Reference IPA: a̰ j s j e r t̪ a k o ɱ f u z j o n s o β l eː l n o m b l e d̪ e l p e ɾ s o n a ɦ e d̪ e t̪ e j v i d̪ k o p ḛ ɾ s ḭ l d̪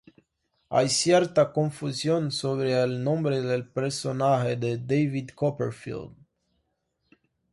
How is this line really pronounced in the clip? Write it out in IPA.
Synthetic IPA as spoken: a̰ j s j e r t̪ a k o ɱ f u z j o n s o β ɾ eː l n o m b ɾ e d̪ e l p e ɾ s o n a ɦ e d̪ e d̪ e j v i d̪ k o p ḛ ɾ f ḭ l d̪

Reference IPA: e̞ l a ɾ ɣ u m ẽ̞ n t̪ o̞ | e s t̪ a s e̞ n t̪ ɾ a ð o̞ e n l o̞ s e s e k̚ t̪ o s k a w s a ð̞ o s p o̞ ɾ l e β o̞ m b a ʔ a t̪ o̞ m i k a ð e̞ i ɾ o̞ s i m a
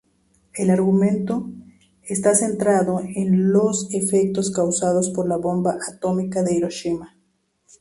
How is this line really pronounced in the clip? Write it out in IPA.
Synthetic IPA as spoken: e̞ l a ɾ ɣ u m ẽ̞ n t̪ o̞ | e s t̪ a s e̞ n t̪ ɾ a ð o̞ e n l o̞ s e f e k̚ t̪ o s k a w s a ð̞ o s p o̞ ɾ l a β o̞ m b a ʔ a t̪ o̞ m i k a ð e̞ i ɾ o̞ ʃ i m a

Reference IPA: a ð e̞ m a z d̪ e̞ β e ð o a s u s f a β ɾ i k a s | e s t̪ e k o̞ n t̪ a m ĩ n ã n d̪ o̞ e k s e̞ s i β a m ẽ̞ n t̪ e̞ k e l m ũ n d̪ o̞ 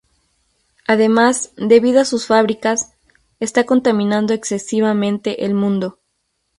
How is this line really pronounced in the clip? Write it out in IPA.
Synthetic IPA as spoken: a ð e̞ m a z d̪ e̞ β i ð o a s u s f a β ɾ i k a s | e s t̪ a k o̞ n t̪ a m ĩ n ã n d̪ o̞ e k s e̞ s i β a m ẽ̞ n t̪ e̞ ʔ e l m ũ n d̪ o̞

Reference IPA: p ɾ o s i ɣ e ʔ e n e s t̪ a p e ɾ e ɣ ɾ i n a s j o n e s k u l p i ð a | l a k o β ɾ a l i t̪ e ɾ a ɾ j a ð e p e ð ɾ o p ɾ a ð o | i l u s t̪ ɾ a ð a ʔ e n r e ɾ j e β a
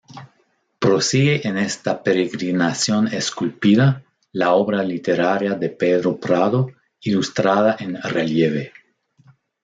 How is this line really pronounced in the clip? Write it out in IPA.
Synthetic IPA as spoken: p ɾ o s i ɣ e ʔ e n e s t̪ a p e ɾ e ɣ ɾ i n a s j o n e s k u l p i ð a | l a o β ɾ a l i t̪ e ɾ a ɾ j a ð e p e ð ɾ o p ɾ a ð o | i l u s t̪ ɾ a ð a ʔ e n r e l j e β e

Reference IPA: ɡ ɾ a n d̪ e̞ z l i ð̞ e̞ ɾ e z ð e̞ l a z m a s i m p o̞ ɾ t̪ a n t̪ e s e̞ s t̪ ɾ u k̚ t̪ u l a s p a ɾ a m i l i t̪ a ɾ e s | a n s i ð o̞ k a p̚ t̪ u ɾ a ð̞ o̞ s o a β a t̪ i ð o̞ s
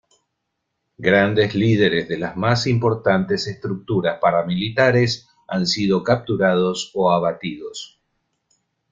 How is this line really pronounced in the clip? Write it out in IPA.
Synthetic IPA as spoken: ɡ ɾ a n d̪ e̞ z l i ð̞ e̞ ɾ e z ð e̞ l a z m a s i m p o̞ ɾ t̪ a n t̪ e s e̞ s t̪ ɾ u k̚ t̪ u ɾ a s p a ɾ a m i l i t̪ a ɾ e s | a n s i ð o̞ k a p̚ t̪ u ɾ a ð̞ o̞ s o a β a t̪ i ð o̞ s

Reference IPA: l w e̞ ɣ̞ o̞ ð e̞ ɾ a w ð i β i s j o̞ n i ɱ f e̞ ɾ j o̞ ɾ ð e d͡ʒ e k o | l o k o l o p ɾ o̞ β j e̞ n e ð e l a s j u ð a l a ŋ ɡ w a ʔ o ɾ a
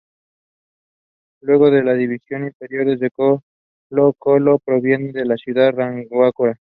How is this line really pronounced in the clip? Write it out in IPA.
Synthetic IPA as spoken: l w e̞ ɣ̞ o̞ ð e̞ l a ð i β i s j o̞ n i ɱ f e̞ ɾ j o̞ ɾ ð e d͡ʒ e k o | l o k o l o p ɾ o̞ β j e̞ n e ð e l a s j u ð a r a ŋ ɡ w a k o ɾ a

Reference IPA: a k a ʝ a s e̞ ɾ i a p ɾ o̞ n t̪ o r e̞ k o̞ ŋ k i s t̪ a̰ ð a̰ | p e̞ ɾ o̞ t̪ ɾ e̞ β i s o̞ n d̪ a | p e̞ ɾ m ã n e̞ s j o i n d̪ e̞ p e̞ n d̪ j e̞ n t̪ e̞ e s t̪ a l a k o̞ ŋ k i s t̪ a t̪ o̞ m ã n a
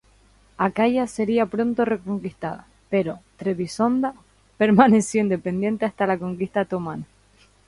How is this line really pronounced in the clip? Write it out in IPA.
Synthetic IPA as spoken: a k a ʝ a s e̞ ɾ i a p ɾ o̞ n t̪ o r e̞ k o̞ ŋ k i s t̪ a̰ ð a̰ | p e̞ ɾ o̞ t̪ ɾ e̞ β i s o̞ n d̪ a | p e̞ ɾ m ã n e̞ s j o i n d̪ e̞ p e̞ n d̪ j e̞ n t̪ e̞ a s t̪ a l a k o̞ ŋ k i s t̪ a t̪ o̞ m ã n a

